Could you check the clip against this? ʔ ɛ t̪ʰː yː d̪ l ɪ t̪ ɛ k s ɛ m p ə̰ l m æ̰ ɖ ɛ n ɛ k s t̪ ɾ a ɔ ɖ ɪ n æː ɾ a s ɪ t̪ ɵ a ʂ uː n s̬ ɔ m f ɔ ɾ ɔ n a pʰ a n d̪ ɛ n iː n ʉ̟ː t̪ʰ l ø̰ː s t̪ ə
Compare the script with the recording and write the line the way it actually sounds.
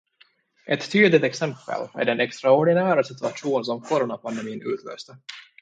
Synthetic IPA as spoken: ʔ ɛ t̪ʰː yː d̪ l ɪ t̪ ɛ k s ɛ m p ə̰ l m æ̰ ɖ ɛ n ɛ k s t̪ ɾ a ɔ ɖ ɪ n æː ɾ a s ɪ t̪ ɵ a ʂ uː n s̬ ɔ m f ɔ ɾ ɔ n a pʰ a n d̪ ɛ m iː n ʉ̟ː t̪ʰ l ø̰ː s t̪ ə